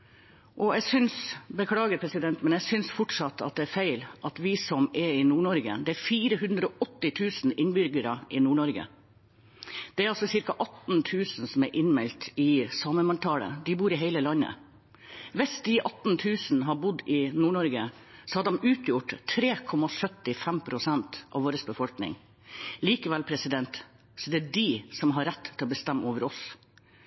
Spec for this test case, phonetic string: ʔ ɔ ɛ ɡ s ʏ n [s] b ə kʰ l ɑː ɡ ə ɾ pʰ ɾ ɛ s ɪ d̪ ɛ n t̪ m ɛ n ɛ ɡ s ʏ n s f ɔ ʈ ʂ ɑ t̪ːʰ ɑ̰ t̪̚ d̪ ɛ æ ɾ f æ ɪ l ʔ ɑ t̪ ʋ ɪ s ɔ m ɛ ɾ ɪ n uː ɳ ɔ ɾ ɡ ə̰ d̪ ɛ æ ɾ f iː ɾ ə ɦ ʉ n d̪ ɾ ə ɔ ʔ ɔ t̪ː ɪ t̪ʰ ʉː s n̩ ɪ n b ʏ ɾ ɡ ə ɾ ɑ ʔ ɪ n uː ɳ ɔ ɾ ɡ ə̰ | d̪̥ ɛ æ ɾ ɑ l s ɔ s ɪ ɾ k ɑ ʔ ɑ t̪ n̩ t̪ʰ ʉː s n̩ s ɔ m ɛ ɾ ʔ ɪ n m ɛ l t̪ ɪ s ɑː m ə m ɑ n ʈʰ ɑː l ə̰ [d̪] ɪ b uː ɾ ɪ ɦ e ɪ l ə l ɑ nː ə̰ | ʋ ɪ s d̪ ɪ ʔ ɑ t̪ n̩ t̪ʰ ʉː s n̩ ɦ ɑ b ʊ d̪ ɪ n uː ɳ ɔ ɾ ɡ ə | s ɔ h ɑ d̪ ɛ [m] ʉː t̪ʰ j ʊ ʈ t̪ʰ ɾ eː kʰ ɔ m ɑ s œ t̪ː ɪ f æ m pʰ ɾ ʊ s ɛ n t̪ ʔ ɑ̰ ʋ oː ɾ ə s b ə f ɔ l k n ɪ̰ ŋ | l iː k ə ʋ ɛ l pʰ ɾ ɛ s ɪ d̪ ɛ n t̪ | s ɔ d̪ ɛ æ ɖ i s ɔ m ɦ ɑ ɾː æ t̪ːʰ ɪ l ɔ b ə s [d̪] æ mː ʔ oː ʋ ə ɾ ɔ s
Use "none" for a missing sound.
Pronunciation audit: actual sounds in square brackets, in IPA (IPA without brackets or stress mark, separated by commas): s, d̪, m, t̪